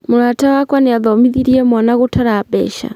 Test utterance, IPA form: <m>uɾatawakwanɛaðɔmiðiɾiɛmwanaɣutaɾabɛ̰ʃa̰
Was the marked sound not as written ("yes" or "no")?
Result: no